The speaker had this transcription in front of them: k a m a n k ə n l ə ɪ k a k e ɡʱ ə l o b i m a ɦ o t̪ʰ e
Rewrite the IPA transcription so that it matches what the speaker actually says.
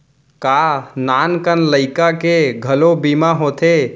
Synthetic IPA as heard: k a n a n k ə n l ə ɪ k a k e ɡʱ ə l o b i m a ɦ o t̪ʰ e